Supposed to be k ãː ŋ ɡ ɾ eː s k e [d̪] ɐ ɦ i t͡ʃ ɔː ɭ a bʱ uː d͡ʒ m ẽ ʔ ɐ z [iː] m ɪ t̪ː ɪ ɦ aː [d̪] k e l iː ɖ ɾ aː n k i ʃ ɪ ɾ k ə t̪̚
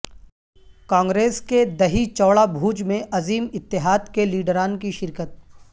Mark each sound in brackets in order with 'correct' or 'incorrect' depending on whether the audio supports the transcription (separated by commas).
correct, correct, correct